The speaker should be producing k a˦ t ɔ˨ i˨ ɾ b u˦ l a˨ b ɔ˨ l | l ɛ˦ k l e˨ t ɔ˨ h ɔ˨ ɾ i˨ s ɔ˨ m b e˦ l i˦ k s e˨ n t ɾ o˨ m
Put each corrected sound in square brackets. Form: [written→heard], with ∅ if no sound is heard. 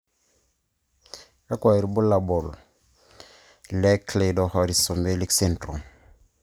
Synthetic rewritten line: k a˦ [t→k] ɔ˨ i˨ ɾ b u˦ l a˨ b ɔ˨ l | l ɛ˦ k l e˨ [t→d] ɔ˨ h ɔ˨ ɾ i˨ s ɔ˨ m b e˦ l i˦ k s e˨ n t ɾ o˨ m